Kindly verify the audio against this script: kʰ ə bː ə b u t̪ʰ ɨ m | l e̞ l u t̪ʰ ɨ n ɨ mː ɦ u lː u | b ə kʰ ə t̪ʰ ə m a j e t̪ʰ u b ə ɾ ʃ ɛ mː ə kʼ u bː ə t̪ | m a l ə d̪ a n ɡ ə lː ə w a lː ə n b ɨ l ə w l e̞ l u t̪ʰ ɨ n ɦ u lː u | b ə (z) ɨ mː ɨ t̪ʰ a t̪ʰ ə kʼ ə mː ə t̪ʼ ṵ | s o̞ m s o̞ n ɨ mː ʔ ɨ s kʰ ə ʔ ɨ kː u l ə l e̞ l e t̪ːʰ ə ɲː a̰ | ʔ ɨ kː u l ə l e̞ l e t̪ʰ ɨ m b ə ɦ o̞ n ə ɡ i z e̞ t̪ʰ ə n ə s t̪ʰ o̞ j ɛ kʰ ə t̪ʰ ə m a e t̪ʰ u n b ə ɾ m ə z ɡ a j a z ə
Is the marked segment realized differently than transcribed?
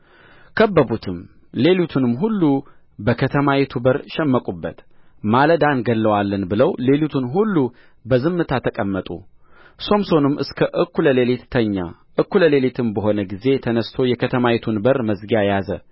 no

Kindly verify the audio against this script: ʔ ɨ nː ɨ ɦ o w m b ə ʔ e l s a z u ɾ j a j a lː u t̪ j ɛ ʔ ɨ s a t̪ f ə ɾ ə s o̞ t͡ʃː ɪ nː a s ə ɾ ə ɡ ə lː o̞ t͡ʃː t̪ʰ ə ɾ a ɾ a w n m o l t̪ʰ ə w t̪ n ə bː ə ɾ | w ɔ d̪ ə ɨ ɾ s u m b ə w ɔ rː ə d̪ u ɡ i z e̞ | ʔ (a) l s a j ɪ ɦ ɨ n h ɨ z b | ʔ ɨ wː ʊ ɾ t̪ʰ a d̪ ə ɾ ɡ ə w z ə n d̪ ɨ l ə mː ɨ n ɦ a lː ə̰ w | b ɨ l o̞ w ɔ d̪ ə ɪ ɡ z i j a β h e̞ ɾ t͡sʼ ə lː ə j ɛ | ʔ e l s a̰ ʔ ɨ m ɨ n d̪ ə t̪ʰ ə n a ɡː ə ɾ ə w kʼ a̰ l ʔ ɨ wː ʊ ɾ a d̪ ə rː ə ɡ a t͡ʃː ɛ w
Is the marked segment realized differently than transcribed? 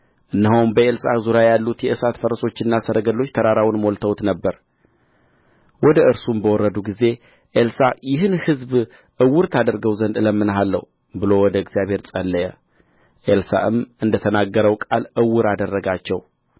yes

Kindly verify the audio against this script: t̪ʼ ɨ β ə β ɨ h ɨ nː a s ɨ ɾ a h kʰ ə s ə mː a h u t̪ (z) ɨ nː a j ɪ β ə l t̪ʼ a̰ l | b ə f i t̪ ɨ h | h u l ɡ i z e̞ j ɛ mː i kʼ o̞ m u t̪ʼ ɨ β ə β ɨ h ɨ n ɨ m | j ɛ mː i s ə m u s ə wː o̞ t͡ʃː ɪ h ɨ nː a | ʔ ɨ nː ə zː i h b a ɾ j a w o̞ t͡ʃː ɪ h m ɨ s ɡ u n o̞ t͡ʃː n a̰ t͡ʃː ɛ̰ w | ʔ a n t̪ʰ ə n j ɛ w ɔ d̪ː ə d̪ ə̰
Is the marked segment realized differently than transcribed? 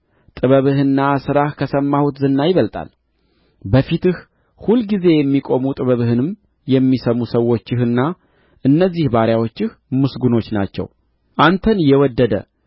no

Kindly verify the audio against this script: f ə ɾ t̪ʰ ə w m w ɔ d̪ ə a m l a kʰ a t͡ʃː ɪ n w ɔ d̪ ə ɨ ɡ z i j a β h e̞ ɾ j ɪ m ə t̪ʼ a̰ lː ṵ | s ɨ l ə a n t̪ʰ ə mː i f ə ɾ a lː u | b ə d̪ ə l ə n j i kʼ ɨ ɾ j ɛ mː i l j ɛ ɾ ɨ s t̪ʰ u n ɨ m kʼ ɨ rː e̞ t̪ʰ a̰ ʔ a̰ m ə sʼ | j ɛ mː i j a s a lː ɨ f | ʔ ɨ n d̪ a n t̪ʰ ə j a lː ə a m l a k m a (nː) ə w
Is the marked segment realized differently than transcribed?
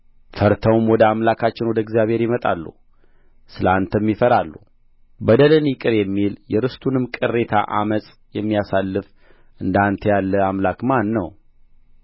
no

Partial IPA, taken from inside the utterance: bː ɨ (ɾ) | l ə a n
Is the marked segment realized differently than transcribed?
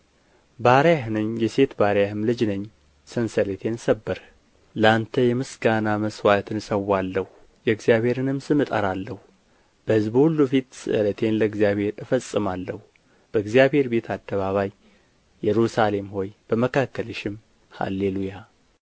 no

